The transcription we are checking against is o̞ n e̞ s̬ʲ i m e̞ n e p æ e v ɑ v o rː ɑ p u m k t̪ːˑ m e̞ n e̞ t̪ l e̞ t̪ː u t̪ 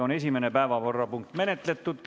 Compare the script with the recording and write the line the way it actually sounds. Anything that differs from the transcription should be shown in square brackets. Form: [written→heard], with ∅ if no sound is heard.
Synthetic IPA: o̞ n e̞ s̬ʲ i m e̞ n e p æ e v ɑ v o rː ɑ p u [m→ŋ] k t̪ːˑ m e̞ n e̞ t̪ l e̞ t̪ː u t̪